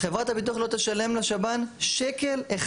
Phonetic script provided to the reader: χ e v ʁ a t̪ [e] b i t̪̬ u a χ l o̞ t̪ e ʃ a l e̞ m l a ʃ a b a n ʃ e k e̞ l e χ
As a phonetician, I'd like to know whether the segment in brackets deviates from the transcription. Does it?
yes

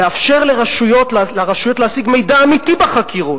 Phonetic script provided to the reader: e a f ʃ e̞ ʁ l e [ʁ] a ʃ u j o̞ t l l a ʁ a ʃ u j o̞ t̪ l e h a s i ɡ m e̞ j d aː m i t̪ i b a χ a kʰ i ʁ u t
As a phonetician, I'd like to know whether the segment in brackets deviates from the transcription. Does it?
no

